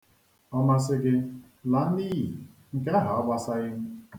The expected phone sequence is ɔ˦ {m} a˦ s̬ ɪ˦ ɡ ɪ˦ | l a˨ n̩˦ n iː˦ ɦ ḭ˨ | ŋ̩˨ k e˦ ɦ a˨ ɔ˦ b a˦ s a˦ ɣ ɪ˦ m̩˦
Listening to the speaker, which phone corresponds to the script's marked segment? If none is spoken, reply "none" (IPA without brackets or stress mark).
m